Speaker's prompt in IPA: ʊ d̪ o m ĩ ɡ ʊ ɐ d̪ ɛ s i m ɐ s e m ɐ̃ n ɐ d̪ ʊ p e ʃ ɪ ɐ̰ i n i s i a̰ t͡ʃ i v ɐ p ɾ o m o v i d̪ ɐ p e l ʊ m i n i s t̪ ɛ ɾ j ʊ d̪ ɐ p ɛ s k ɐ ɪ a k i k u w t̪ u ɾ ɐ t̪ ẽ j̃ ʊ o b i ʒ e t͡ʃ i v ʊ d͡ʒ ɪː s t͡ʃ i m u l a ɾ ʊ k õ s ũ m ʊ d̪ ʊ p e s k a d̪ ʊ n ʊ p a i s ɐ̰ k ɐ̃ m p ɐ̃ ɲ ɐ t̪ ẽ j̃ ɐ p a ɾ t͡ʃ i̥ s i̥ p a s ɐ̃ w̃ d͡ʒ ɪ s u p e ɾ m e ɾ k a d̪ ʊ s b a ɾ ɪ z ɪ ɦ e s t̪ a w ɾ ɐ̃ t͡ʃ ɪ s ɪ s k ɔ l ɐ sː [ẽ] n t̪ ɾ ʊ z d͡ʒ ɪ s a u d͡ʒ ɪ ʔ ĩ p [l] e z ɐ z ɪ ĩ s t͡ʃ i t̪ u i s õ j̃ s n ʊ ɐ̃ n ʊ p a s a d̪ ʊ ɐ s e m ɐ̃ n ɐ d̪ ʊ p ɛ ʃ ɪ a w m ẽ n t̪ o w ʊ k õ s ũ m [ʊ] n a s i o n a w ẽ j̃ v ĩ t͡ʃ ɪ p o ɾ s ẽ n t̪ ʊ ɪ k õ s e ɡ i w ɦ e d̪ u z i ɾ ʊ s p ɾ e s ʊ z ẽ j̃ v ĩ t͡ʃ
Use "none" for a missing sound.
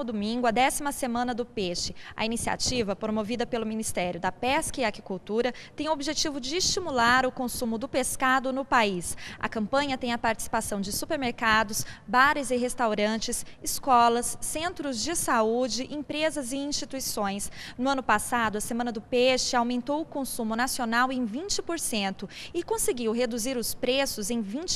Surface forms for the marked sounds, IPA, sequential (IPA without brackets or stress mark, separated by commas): ẽ, ɾ, ʊ